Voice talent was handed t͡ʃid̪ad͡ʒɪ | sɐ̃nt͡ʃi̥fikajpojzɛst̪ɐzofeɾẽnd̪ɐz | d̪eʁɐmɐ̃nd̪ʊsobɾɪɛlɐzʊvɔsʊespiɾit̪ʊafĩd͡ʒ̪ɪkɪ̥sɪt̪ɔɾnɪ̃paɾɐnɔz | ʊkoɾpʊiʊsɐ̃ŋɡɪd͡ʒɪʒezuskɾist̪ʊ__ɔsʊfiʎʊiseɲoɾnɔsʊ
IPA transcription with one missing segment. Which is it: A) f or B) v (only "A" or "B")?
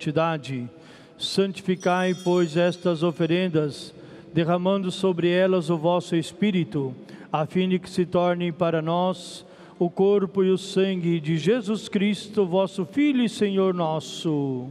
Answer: B